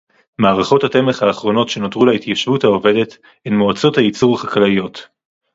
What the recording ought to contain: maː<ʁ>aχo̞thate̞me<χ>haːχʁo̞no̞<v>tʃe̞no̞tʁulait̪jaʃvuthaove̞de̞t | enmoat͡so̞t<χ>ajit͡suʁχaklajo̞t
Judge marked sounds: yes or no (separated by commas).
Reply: yes, yes, no, no